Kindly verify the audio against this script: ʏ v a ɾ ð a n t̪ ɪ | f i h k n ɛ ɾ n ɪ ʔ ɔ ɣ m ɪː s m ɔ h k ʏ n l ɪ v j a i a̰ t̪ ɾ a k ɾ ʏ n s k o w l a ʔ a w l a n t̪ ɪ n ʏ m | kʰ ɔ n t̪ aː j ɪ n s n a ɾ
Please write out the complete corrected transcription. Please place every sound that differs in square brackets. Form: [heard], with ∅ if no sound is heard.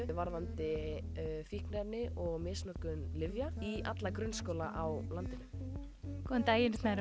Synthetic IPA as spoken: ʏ v a ɾ ð a n t̪ ɪ | f i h k n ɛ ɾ n ɪ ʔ ɔ ɣ m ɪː s [n] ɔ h k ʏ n l ɪ v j a i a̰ t̪ [l] a k ɾ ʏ n s k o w l a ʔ a w l a n t̪ ɪ n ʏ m | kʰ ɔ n t̪ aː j ɪ n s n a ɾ

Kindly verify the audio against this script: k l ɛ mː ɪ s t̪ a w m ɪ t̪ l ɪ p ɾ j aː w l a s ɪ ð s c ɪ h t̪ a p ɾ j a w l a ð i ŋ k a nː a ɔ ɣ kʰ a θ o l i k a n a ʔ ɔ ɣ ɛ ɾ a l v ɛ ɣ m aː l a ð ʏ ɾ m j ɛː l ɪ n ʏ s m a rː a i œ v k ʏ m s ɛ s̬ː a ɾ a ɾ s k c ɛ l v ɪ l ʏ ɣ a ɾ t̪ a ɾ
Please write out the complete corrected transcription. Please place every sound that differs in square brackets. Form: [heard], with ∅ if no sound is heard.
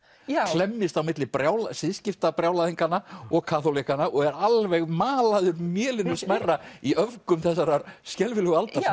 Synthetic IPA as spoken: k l ɛ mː ɪ s t̪ a w m ɪ t̪ l ɪ p ɾ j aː w l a s ɪ ð s c ɪ [f] t̪ a p ɾ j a w l a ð i ŋ k a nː a ɔ ɣ kʰ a θ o l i k a n a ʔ ɔ ɣ ɛ ɾ a l v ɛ ɣ m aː l a ð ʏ ɾ m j ɛː l ɪ n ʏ s m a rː a i œ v k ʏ m [θ] ɛ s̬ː a ɾ a ɾ s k c ɛ l v ɪ l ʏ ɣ a [l] t̪ a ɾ

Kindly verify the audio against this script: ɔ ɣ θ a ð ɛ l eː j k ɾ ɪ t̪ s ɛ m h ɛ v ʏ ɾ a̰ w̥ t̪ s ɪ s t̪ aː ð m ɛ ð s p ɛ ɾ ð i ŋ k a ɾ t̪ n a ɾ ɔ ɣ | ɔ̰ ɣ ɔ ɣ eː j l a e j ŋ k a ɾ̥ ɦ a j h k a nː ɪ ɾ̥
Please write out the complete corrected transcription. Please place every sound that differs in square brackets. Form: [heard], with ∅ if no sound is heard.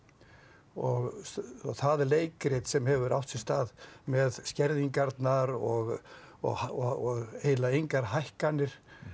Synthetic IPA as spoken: ɔ ɣ θ a ð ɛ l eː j k ɾ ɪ t̪ s ɛ m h ɛ v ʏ ɾ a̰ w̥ t̪ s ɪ s t̪ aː ð m ɛ ð s [c] ɛ ɾ ð i ŋ k a ɾ t̪ n a ɾ ɔ ɣ | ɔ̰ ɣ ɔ ɣ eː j l a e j ŋ k a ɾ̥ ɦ a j h k a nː ɪ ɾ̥

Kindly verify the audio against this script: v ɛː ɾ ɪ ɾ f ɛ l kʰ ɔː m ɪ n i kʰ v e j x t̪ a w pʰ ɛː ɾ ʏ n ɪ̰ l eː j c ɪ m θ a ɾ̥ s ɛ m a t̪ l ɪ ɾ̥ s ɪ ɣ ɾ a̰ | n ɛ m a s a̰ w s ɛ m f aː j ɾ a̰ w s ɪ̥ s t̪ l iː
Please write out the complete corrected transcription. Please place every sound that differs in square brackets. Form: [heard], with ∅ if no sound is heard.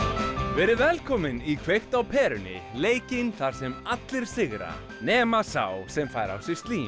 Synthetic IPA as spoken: v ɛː ɾ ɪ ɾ [v] ɛ l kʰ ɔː m ɪ n i kʰ v e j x t̪ a w pʰ ɛː ɾ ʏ n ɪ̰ l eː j c ɪ [n] θ a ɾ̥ s ɛ m a t̪ l ɪ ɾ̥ s ɪ ɣ ɾ a̰ | n [ɛː] m a s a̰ w s ɛ m f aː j ɾ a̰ w s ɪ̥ s t̪ l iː

